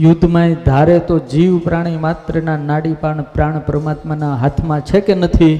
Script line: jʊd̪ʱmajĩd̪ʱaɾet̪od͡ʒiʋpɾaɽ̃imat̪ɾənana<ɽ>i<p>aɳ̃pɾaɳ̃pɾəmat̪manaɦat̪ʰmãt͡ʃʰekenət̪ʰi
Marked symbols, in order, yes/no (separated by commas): yes, yes